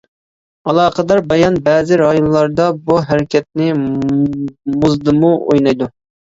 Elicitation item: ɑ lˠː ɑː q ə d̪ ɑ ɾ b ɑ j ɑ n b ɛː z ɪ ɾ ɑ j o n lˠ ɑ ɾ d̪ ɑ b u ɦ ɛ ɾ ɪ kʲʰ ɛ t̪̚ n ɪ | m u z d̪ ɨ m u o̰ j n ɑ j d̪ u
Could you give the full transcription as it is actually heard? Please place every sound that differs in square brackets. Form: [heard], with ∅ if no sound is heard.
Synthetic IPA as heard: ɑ [lˠ] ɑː q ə d̪ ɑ ɾ b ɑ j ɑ n b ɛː z ɪ ɾ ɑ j o n lˠ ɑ ɾ d̪ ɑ b u ɦ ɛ ɾ ɪ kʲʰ ɛ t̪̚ n ɪ | m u z d̪ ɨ m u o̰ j n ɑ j d̪ u